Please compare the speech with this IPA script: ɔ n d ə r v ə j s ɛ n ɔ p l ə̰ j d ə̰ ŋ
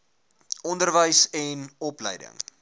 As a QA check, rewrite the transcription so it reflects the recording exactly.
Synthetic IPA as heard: ɔ n d ə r v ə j s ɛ n ɔ p l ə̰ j d ə̰ ŋ

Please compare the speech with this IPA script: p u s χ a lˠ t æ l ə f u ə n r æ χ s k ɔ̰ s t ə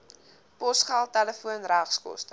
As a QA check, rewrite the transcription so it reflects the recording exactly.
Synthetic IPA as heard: p ɔ s χ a lˠ t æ l ə f u ə n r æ χ s k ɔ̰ s t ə

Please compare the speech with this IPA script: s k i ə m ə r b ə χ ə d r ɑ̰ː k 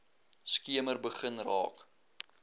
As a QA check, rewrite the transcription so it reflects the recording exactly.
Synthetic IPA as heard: s k i ə m ə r b ə χ ə n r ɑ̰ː k

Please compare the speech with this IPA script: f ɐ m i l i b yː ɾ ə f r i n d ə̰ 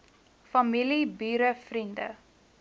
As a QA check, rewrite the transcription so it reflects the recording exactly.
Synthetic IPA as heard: f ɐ m i l i b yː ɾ ə f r i n d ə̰

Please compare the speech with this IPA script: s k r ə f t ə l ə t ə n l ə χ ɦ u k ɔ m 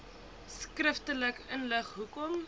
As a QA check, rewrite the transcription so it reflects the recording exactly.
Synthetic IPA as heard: s k r ə f t ə l ə k ə n l ə χ ɦ u k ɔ m

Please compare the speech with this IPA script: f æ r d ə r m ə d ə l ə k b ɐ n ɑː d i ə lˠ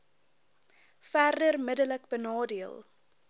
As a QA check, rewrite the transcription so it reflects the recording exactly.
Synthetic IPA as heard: f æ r d ə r m ə d ə l ə k b ə n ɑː d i ə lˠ

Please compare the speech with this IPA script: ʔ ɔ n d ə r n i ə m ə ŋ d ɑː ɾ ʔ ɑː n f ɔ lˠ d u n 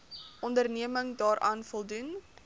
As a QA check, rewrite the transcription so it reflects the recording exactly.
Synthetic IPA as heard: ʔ ɔ n d ə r n i ə m ə ŋ d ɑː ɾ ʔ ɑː n f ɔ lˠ d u n

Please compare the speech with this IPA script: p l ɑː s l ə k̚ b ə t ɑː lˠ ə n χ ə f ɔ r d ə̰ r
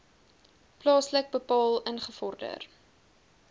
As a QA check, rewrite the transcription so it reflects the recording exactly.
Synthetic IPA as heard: p l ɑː s l ə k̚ b ə p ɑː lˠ ə n χ ə f ɔ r d ə̰ r

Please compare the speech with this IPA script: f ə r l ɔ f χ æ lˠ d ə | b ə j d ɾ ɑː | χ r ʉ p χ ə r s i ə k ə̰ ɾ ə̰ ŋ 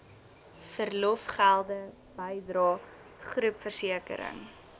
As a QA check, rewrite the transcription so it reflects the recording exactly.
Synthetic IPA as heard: f ə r l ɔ f χ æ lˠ d ə | b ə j d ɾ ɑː | χ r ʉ p f ə r s i ə k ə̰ ɾ ə̰ ŋ

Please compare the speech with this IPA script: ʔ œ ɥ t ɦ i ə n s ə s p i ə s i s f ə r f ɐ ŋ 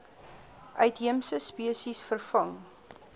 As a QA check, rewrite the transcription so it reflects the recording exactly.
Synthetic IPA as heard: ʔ œ ɥ t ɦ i ə m s ə s p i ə s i s f ə r f ɐ ŋ

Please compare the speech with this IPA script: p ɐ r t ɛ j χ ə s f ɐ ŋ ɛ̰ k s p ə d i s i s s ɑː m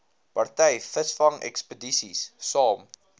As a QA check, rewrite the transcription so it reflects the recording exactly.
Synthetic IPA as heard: p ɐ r t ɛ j f ə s f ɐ ŋ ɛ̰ k s p ə d i s i s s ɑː m

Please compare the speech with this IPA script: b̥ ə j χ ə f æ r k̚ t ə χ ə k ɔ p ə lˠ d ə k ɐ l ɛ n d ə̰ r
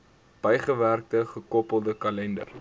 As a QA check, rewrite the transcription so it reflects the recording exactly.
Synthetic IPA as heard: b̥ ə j χ ə v æ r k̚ t ə χ ə k ɔ p ə lˠ d ə k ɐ l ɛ n d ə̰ r

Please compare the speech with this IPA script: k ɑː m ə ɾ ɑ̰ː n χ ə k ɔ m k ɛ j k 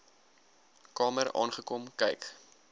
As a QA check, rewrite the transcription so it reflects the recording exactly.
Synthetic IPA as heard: k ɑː m ə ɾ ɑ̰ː n χ ə k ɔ m k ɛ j k

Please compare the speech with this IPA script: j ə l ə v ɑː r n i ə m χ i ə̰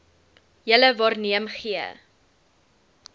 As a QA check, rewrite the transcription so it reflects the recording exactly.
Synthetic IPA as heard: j ə l ə v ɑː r n i ə m χ i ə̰

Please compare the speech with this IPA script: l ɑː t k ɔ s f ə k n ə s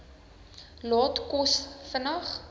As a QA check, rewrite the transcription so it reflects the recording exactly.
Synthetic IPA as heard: l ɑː t k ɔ s f ə n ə χ

